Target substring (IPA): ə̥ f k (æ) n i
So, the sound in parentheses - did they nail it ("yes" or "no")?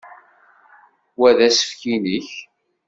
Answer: no